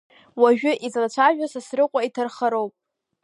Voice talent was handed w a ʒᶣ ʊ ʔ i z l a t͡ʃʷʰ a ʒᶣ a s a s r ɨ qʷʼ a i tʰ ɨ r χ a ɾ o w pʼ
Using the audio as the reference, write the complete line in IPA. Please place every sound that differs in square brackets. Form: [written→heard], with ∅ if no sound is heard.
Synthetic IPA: w a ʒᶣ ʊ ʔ i z l a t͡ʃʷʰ a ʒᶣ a s a s r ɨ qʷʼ a i tʰ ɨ r χ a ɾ o w pʼ